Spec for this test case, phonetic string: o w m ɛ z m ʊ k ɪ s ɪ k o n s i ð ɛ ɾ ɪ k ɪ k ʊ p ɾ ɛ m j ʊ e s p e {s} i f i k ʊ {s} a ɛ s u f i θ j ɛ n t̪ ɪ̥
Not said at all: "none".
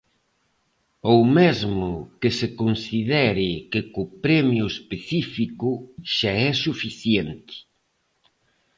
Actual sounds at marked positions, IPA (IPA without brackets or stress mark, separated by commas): θ, ʃ